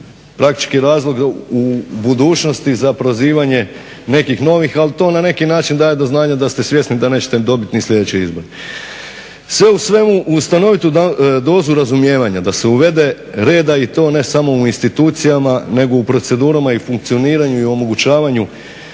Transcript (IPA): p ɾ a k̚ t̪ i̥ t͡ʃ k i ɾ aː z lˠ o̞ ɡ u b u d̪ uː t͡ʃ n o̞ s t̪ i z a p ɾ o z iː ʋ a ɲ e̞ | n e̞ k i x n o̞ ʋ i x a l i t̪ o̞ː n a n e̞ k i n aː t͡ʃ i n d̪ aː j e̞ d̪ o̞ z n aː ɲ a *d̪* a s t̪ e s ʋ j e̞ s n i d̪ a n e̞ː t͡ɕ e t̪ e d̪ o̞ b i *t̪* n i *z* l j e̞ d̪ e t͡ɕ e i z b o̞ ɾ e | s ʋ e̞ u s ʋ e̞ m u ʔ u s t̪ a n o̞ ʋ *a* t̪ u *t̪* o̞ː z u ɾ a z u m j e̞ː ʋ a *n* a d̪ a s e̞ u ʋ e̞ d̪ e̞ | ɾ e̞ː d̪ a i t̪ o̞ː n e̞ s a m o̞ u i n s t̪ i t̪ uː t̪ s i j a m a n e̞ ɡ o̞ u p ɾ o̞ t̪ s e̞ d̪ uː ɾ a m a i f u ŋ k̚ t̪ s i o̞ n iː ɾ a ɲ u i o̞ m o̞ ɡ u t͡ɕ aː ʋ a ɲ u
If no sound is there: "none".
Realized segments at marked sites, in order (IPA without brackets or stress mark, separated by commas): d̪, t̪, s, i, d̪, ɲ